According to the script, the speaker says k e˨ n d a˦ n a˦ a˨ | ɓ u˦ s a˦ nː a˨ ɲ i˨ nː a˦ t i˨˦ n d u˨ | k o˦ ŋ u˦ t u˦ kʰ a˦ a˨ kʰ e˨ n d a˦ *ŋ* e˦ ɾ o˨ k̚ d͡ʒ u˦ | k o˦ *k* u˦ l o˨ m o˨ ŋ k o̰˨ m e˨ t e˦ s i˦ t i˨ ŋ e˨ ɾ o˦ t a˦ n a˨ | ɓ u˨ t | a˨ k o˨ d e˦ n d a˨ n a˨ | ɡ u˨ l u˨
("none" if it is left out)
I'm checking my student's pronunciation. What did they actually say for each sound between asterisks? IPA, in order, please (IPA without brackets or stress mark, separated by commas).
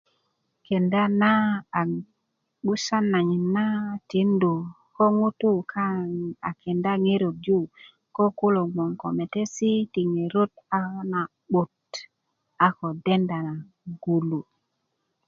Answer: ŋ, k